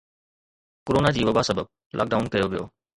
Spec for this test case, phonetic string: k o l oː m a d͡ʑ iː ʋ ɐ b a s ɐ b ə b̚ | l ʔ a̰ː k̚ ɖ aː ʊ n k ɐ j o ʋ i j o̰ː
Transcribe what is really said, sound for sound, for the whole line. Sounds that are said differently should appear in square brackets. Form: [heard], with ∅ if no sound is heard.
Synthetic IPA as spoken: k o [ɾ] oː [n] a d͡ʑ iː ʋ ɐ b a s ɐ b ə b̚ | l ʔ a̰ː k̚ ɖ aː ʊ n k ɐ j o ʋ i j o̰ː